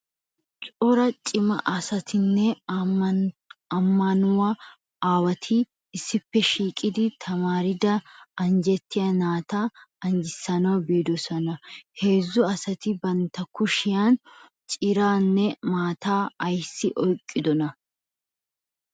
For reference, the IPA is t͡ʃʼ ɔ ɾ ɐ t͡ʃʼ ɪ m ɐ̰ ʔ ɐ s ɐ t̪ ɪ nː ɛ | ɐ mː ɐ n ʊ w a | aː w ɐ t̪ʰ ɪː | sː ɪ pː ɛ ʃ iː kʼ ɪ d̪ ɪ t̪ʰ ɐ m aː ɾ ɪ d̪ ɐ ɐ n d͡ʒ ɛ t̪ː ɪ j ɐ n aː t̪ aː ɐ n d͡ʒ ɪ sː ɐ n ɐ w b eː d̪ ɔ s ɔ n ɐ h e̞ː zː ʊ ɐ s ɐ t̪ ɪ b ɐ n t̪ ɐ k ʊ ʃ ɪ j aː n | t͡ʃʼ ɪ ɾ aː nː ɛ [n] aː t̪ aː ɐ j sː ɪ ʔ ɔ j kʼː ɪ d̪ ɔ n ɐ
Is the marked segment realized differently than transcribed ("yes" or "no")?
yes